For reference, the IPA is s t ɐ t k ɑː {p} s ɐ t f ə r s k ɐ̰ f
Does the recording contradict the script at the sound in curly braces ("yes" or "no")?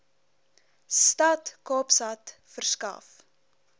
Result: no